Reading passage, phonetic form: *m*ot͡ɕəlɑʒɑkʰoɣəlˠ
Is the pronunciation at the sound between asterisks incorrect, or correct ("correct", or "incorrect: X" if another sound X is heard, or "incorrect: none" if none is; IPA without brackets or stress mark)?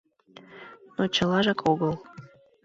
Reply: incorrect: n